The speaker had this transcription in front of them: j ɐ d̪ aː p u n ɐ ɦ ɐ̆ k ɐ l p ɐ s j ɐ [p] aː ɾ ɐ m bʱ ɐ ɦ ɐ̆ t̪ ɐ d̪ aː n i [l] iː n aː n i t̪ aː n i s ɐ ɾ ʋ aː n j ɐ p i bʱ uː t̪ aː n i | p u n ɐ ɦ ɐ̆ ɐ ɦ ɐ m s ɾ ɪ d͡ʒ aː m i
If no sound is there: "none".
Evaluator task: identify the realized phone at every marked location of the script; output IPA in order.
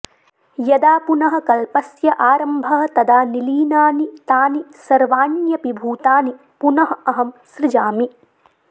ʔ, l

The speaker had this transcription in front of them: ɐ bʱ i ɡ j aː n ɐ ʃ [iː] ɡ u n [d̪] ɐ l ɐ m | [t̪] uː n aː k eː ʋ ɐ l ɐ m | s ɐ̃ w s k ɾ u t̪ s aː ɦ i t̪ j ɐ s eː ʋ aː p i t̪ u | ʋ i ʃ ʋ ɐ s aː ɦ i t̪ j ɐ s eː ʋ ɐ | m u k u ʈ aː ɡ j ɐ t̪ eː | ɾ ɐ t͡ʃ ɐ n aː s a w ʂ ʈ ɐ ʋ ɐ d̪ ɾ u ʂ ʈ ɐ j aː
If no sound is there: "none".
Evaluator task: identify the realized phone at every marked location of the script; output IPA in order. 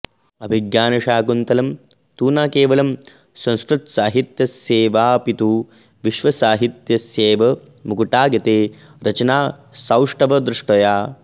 aː, t̪, t̪

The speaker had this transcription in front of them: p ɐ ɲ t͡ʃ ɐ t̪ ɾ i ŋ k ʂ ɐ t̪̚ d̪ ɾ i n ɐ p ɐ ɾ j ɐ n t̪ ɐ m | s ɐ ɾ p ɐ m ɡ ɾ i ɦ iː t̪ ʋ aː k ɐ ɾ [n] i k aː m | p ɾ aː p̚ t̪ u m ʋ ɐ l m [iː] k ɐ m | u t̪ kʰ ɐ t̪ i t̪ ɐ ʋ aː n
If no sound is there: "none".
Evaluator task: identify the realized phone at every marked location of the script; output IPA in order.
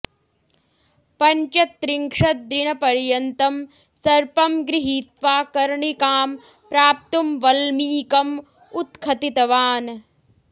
ɳ, iː

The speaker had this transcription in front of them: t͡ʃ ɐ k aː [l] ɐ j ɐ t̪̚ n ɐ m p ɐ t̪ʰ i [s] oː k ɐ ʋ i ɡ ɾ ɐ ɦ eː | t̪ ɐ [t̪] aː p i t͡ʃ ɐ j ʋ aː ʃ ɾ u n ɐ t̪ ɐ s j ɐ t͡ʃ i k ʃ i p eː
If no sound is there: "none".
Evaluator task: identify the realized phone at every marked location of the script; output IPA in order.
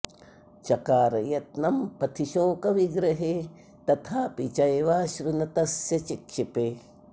ɾ, ʃ, t̪ʰ

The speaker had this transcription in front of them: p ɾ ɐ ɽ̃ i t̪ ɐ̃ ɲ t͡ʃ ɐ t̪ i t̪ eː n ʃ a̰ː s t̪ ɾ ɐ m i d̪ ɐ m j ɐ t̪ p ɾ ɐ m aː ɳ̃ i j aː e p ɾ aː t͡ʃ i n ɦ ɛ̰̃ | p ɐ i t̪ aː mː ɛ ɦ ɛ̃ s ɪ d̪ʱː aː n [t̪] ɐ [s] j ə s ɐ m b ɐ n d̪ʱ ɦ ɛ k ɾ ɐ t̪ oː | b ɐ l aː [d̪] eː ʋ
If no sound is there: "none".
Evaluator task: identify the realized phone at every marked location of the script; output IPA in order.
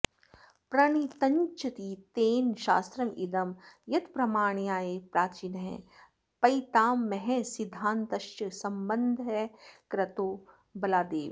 t̪, ʃ, d̪

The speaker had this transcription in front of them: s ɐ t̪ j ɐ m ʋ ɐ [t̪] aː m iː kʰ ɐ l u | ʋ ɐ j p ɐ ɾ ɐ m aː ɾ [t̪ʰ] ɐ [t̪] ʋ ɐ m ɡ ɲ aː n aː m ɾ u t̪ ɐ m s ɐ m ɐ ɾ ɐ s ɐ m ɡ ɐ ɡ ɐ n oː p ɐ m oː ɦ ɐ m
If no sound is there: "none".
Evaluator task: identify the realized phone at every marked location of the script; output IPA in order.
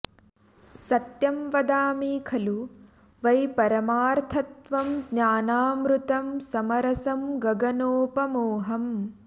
d̪, t̪ʰ, t̪

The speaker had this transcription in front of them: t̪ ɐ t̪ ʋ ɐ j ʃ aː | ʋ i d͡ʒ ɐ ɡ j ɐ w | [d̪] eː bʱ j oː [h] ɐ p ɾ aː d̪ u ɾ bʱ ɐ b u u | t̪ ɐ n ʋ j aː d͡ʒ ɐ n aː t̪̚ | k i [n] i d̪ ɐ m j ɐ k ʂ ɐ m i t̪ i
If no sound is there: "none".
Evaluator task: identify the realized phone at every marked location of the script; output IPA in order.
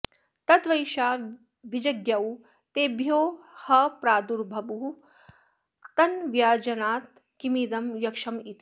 t̪, h, m

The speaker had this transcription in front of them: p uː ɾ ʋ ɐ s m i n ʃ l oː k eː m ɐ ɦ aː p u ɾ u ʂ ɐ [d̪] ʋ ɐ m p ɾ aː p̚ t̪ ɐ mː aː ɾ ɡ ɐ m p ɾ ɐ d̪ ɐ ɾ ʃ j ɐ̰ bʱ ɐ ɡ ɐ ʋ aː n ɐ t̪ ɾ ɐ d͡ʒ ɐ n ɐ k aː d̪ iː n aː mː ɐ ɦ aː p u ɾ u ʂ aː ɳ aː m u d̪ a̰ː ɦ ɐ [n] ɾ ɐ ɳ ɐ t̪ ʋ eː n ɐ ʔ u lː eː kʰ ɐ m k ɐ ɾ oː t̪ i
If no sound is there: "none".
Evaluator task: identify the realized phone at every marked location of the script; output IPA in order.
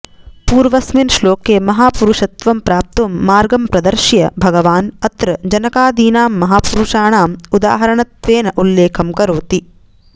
t̪, none

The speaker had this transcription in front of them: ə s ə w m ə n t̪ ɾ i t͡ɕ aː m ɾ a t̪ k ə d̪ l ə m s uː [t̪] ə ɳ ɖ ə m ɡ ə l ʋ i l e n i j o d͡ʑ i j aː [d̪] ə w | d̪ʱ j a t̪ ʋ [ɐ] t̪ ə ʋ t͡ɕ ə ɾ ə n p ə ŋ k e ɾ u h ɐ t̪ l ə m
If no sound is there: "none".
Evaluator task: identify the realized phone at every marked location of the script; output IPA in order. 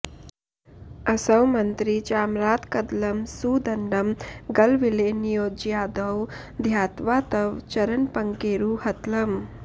d̪, d̪, a

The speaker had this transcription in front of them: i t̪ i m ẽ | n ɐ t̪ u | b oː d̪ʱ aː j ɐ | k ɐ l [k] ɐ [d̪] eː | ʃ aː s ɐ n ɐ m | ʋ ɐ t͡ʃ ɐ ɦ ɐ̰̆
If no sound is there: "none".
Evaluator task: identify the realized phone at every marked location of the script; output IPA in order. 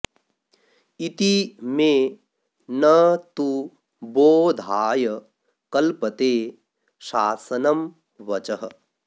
p, t̪

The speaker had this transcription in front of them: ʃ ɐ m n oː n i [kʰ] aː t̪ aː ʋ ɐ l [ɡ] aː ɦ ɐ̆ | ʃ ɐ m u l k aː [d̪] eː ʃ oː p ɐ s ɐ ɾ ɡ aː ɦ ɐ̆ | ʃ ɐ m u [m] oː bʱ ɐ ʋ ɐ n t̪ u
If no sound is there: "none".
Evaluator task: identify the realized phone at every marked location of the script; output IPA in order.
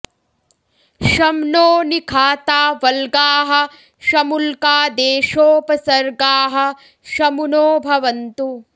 kʰ, ɡ, d̪, n

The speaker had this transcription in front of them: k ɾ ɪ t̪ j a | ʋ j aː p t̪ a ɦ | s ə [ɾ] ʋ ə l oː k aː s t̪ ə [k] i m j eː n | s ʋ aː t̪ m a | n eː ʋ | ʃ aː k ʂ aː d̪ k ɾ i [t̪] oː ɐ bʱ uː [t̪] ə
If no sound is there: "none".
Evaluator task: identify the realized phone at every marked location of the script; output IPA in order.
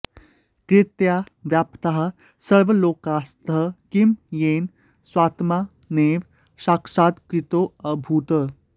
ɭ, k, t̪, t̪

